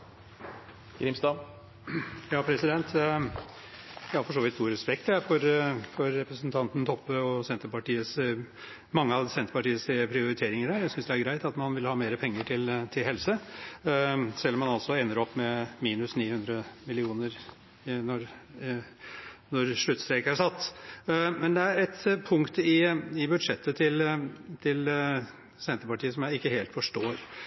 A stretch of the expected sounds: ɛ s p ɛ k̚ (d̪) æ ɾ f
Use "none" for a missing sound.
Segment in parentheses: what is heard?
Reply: t̪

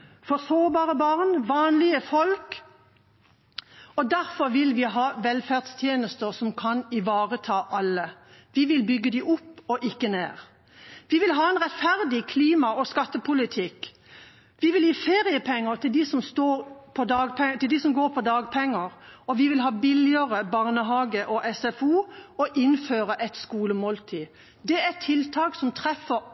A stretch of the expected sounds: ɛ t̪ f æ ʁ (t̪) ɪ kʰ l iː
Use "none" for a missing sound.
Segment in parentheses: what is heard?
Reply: d̪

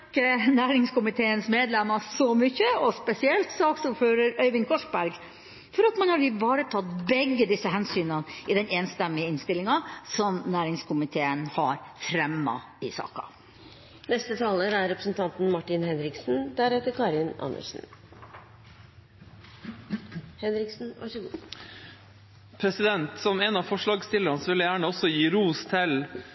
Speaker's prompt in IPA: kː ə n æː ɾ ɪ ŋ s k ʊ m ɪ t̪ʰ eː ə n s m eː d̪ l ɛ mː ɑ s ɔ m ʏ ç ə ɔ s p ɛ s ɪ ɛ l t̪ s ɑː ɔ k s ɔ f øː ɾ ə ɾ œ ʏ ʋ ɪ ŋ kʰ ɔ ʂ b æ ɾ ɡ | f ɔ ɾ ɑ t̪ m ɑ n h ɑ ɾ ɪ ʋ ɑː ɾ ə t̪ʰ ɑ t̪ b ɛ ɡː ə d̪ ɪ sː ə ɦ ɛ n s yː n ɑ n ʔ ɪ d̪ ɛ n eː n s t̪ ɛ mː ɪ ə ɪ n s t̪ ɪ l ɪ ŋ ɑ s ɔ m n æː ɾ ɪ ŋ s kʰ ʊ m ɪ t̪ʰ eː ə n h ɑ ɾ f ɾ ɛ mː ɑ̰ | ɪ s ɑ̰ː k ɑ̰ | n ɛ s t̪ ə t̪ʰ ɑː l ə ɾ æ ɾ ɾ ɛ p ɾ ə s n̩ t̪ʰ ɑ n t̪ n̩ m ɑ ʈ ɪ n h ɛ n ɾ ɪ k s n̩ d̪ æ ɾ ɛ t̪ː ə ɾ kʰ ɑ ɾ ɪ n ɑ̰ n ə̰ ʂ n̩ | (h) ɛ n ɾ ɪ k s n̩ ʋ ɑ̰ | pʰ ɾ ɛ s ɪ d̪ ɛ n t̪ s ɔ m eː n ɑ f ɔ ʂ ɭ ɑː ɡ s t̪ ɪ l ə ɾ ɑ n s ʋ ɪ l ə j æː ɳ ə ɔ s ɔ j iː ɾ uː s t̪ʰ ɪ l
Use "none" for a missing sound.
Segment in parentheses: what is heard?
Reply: h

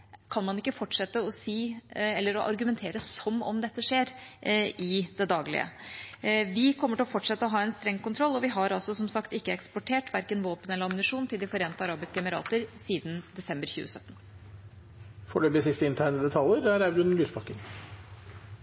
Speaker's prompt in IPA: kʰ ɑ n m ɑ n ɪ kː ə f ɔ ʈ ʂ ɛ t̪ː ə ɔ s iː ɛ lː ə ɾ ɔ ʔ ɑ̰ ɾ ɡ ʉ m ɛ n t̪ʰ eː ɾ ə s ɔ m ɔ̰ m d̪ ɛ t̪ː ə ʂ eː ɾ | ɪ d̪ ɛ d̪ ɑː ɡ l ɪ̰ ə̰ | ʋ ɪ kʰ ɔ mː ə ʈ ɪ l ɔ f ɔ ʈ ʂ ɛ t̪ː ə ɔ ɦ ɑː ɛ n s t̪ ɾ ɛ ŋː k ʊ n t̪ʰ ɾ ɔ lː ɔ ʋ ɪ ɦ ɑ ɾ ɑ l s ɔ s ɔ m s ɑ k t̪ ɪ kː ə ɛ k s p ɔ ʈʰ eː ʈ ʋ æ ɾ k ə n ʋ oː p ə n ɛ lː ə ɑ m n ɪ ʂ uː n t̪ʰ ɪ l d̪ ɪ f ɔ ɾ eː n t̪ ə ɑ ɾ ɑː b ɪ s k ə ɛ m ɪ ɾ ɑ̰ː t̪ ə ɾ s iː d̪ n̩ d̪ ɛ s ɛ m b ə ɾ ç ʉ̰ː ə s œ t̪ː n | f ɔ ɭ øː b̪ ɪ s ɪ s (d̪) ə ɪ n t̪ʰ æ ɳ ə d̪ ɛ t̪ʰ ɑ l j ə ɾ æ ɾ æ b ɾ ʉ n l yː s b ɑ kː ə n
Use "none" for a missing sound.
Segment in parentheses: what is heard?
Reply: t̪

